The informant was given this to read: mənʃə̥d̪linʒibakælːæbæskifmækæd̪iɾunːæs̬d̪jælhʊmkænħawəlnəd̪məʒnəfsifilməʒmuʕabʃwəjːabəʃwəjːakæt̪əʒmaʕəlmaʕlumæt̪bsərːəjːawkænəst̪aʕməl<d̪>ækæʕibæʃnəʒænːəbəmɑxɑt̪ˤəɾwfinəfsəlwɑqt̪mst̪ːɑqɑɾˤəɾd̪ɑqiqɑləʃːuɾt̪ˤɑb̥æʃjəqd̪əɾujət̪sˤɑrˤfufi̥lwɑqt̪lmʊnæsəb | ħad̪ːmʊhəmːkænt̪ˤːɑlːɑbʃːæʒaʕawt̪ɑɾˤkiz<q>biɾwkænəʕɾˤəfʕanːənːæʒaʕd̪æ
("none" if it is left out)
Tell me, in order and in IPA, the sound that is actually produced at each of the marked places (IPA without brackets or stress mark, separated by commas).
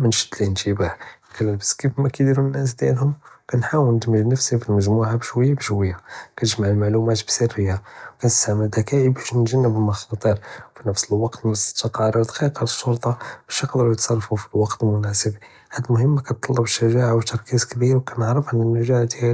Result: d̪, k